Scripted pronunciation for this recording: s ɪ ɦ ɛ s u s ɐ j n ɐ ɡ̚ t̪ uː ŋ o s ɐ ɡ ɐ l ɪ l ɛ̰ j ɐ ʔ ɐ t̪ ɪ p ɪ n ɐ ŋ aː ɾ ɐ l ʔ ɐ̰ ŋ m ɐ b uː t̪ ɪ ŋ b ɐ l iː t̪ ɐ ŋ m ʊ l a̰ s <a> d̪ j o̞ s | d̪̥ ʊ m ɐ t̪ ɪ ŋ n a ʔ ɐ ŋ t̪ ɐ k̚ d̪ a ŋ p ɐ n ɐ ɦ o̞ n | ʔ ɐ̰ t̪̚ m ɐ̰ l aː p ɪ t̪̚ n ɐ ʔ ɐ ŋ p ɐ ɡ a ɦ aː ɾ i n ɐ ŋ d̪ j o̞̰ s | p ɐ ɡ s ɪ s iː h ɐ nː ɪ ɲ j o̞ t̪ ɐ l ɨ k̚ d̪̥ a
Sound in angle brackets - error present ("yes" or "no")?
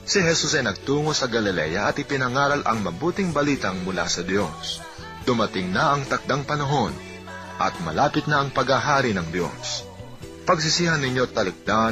yes